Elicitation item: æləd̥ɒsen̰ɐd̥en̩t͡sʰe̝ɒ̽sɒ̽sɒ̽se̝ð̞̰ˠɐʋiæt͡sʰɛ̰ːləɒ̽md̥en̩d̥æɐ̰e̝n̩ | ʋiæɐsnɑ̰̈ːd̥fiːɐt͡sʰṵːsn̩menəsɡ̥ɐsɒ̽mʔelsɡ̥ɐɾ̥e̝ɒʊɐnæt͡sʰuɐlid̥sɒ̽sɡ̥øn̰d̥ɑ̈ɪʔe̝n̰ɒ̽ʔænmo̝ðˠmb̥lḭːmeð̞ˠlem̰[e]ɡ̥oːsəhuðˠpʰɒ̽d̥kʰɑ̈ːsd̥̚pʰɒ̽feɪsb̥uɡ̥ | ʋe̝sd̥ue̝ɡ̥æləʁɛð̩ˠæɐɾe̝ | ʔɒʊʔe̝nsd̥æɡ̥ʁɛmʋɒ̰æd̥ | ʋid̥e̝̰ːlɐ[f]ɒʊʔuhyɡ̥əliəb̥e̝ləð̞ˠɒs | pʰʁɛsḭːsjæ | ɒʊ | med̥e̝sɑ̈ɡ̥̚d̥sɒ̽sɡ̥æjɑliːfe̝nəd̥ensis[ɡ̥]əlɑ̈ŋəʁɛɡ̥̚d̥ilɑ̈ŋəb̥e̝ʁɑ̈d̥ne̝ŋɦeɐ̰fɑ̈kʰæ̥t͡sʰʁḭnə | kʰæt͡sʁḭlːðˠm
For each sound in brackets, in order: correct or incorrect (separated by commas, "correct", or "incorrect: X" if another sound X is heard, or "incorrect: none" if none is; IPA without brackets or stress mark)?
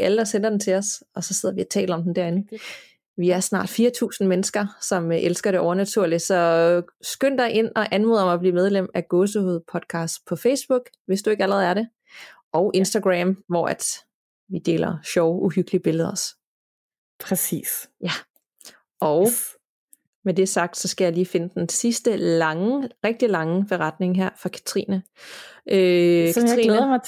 incorrect: æ, incorrect: ɕ, incorrect: d̥